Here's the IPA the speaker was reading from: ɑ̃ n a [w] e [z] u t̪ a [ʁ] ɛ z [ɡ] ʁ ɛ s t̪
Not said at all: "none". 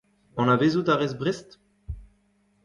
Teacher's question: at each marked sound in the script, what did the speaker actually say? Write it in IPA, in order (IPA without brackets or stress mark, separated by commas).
v, z, ʁ, b